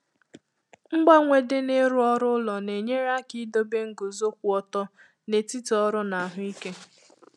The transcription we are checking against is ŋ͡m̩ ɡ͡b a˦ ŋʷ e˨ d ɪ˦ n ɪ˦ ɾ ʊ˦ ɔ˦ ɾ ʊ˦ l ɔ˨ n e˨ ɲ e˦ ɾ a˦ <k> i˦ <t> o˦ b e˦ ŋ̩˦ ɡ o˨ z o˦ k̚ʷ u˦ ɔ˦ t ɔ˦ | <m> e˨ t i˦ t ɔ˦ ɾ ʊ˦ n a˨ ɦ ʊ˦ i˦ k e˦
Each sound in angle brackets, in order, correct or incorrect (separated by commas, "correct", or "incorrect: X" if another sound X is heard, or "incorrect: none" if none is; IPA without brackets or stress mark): correct, incorrect: d, incorrect: n